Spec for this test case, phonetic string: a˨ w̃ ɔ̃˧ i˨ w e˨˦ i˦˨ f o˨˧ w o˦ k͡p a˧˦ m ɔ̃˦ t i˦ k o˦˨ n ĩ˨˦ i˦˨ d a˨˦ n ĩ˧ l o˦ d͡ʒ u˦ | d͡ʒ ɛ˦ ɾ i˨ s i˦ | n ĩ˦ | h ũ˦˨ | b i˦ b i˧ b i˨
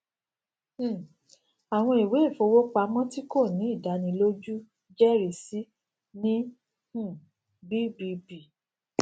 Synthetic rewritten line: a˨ w̃ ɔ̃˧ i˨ w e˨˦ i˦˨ f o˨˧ w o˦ k͡p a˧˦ m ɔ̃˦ t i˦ k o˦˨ n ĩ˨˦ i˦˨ d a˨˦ n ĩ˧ l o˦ d͡ʒ u˦ | d͡ʒ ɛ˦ ɾ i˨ s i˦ | n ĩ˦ | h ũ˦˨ | b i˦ b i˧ b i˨